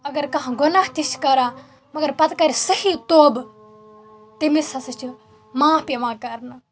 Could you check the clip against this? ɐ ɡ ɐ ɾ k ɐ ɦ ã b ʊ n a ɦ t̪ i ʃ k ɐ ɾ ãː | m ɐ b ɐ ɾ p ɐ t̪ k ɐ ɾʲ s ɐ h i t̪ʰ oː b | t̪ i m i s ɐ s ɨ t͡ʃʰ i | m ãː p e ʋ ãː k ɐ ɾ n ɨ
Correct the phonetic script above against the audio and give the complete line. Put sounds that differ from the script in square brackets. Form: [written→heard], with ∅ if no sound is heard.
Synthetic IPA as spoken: ɐ ɡ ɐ ɾ k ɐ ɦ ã [b→ɡ] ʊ n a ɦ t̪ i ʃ k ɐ ɾ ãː | m ɐ [b→ɡ] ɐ ɾ p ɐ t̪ k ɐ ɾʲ s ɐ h i [t̪ʰ→t̪] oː b | t̪ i m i s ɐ s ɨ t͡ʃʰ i | m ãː p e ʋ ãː k ɐ ɾ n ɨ